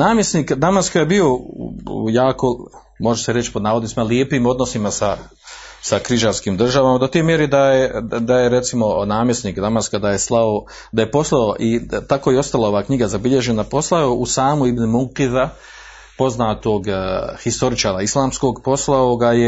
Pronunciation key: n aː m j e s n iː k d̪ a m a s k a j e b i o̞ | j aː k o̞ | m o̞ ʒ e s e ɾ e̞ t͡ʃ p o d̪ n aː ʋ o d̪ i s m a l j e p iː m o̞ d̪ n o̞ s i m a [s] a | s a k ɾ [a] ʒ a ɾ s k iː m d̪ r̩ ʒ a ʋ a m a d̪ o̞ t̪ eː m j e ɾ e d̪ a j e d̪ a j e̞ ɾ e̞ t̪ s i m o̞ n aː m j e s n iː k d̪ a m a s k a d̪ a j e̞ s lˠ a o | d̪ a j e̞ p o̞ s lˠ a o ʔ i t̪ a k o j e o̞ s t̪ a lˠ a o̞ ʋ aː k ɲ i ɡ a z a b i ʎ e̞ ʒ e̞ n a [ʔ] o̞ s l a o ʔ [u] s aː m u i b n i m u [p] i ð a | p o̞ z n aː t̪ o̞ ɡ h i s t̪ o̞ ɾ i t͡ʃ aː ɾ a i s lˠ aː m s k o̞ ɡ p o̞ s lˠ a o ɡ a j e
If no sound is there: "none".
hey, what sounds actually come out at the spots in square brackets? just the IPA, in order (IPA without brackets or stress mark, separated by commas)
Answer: s, i, p, u, q